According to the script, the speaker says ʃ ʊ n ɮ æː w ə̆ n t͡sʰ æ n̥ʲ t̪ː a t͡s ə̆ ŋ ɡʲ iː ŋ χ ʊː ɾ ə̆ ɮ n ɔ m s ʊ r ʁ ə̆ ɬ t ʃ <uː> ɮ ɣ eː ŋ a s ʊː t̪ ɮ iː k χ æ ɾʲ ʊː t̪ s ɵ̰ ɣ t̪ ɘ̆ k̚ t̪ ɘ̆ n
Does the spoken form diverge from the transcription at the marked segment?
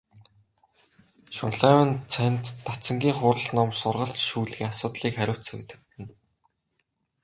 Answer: no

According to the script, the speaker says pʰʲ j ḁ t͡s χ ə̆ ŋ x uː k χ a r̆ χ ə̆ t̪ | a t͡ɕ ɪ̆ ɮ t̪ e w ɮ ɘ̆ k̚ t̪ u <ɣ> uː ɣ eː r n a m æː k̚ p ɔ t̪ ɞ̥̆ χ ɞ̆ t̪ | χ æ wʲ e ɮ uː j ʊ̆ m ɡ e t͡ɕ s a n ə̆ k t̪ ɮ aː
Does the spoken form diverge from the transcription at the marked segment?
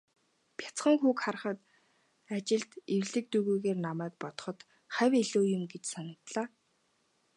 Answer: no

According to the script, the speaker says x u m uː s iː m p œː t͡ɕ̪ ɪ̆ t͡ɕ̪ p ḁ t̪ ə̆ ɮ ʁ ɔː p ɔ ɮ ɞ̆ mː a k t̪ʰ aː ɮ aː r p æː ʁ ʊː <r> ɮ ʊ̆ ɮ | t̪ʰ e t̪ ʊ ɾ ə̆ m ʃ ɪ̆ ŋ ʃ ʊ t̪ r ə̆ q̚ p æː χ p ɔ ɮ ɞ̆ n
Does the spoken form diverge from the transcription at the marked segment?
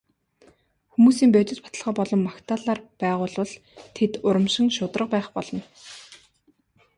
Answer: yes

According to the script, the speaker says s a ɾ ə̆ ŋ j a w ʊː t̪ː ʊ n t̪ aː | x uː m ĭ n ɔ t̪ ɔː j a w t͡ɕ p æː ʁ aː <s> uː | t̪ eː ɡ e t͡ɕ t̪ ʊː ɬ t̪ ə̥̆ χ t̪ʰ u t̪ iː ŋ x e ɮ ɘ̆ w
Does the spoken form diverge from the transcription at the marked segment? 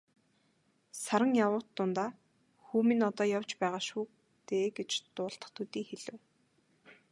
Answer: yes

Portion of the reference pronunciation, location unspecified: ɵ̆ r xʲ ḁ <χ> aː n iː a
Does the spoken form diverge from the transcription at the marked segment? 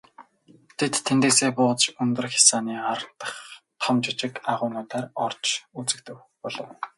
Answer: yes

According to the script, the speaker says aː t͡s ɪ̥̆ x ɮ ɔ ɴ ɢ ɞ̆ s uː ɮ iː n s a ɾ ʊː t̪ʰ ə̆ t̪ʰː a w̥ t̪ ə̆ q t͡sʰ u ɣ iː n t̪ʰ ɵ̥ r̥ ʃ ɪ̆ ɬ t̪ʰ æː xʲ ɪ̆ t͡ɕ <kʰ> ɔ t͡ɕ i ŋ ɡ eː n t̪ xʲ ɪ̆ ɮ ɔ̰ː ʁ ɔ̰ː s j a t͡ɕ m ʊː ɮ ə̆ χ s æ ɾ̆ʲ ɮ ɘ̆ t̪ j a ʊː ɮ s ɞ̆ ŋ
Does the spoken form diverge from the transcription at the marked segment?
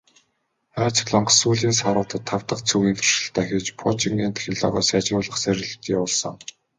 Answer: yes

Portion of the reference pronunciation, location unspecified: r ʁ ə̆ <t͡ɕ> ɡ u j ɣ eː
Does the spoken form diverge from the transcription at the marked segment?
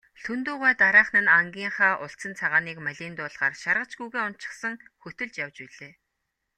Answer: no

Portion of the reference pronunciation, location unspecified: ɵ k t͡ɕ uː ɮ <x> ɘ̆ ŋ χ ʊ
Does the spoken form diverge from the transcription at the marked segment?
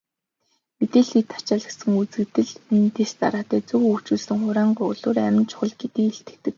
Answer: yes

